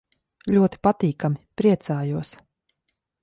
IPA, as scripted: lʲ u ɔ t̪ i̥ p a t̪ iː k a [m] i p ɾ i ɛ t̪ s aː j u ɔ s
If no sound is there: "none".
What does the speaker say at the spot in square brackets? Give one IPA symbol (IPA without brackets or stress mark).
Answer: m